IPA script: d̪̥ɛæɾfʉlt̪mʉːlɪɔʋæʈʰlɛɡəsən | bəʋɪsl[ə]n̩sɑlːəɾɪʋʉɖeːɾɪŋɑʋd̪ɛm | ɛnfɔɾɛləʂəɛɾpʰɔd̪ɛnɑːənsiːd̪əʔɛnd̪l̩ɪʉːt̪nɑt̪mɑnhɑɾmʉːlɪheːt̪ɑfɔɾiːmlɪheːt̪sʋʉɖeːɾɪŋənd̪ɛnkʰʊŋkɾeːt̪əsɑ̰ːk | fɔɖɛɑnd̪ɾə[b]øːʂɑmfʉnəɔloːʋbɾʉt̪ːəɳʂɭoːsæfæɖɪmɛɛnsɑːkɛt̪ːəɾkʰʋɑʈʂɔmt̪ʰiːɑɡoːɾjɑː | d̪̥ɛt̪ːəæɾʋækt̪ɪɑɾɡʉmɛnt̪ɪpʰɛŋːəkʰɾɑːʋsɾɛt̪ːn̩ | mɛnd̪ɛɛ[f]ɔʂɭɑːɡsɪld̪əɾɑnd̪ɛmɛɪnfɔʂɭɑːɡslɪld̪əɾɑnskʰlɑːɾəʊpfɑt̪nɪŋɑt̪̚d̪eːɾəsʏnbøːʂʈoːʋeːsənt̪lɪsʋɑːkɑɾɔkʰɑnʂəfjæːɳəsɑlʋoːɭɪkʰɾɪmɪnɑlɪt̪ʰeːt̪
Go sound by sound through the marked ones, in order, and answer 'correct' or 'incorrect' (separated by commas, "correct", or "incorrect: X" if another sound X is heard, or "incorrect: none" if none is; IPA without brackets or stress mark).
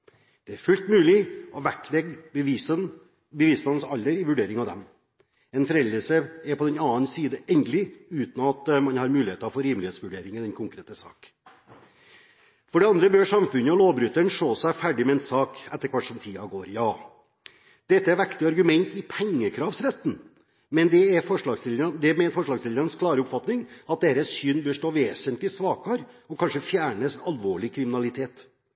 incorrect: ɑ, correct, correct